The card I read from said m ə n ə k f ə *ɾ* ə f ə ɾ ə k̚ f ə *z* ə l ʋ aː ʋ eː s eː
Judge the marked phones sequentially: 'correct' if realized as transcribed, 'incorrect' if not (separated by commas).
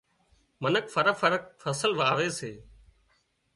correct, incorrect